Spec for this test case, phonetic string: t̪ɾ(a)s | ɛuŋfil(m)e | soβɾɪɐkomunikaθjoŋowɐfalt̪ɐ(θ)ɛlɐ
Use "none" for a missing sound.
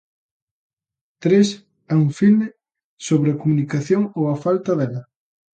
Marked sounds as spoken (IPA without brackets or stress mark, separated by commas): e, m, ð